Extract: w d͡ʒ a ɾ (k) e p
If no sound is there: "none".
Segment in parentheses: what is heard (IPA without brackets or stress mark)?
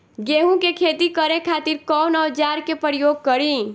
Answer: k